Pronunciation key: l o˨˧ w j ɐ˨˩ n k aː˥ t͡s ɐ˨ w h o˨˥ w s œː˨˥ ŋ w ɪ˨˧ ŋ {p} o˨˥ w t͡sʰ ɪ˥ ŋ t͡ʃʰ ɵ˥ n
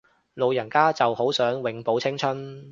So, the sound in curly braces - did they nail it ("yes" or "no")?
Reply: yes